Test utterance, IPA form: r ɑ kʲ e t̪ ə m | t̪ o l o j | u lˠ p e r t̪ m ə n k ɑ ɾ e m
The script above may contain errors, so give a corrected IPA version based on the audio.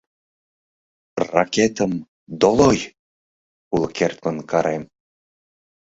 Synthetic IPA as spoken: r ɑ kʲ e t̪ ə m | d̪ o l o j | u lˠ k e r t̪ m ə n k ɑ ɾ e m

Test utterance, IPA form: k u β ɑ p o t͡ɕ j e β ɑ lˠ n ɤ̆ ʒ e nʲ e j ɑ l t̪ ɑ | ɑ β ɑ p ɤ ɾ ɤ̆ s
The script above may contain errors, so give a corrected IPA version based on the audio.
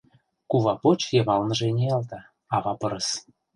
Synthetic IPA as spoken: k u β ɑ p o t͡ɕ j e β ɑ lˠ n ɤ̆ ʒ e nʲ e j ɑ l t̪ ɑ | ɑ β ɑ p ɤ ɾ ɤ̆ s

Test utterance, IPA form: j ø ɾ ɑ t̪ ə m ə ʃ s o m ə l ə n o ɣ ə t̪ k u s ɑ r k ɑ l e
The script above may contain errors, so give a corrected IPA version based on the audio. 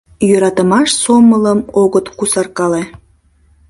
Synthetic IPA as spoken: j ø ɾ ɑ t̪ ə m ɑ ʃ s o m ə l ə m o ɣ ə t̪ k u s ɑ r k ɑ l e

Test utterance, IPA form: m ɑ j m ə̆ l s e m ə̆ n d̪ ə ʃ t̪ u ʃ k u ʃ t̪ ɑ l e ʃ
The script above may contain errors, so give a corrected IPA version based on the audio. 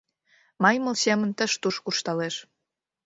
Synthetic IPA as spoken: m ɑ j m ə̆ l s e m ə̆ n t̪ ə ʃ t̪ u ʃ k u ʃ t̪ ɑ l e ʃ

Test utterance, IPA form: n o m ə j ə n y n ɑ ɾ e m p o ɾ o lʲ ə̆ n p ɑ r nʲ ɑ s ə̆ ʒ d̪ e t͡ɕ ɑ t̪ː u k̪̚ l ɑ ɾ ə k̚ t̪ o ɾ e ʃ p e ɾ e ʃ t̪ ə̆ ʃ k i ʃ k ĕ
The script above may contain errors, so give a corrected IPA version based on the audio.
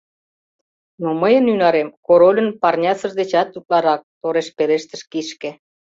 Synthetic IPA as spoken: n o m ə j ə n y n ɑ ɾ e m k o ɾ o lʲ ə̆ n p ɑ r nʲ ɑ s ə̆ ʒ d̪ e t͡ɕ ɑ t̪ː u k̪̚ l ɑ ɾ ɑ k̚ t̪ o ɾ e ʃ p e ɾ e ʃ t̪ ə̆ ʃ k i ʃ k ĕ

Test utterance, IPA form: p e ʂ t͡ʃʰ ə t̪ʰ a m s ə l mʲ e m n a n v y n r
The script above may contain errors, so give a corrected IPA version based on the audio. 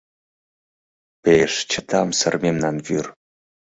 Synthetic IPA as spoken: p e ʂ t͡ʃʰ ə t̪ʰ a m s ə r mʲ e m n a n v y r

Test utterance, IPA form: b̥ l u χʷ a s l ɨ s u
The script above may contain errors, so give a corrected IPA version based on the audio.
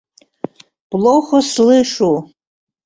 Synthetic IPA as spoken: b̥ l o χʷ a s l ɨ ʂ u

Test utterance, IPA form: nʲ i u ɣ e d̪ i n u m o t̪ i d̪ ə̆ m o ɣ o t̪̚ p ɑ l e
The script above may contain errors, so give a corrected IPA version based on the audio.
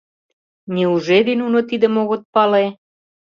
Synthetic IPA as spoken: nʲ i u ʒ e d̪ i n u n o t̪ i d̪ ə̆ m o ɣ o t̪̚ p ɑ l e

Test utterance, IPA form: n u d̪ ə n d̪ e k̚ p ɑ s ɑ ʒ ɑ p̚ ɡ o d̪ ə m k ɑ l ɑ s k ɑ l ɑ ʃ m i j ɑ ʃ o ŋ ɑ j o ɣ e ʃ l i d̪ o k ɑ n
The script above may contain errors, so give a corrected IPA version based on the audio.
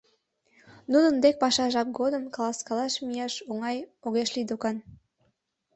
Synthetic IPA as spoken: n u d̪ ə n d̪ e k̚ p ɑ ʃ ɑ ʒ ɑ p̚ ɡ o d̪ ə m k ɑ l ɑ s k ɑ l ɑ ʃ m i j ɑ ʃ o ŋ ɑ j o ɣ e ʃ l i d̪ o k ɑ n

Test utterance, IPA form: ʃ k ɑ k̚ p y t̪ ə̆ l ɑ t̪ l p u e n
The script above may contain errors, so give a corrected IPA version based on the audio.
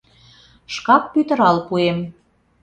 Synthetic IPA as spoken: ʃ k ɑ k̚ p y t̪ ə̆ ɾ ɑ l p u e m

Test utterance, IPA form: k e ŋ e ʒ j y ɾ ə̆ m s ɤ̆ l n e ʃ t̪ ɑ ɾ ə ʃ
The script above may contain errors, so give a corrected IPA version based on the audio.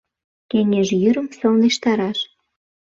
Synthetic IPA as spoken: k e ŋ e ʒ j y ɾ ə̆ m s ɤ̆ l n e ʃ t̪ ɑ ɾ ɑ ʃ

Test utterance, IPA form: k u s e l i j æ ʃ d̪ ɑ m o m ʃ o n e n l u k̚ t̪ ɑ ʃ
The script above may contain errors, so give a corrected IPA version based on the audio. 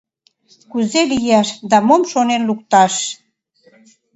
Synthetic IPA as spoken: k u z e l i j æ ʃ d̪ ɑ m o m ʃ o n e n l u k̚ t̪ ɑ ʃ

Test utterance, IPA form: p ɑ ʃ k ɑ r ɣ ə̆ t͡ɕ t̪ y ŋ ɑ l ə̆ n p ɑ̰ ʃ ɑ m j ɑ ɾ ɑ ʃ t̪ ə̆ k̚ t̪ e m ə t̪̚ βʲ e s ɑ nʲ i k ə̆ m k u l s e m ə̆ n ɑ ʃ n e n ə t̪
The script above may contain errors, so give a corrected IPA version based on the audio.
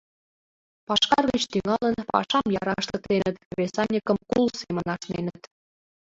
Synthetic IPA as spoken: p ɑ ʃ k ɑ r ɣ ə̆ t͡ɕ t̪ y ŋ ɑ l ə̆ n p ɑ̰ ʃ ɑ m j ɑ ɾ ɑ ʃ t̪ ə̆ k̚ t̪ e n ə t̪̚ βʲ e s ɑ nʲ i k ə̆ m k u l s e m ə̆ n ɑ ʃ n e n ə t̪

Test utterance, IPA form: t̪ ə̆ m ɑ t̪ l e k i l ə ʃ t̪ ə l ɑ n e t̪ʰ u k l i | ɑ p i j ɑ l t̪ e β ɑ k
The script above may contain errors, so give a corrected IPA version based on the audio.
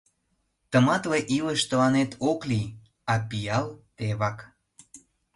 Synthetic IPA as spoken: t̪ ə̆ m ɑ t̪ l e ʔ i l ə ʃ t̪ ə l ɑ n e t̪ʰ o k l i | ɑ p i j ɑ l t̪ e β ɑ k

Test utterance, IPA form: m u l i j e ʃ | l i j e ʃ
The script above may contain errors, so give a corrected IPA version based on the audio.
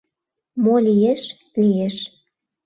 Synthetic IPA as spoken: m o l i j e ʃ | l i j e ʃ

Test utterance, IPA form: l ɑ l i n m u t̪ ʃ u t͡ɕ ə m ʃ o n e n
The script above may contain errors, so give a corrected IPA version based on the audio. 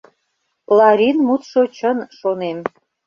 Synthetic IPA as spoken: l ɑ ɾ i n m u t̪ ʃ o t͡ɕ ə n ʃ o n e m

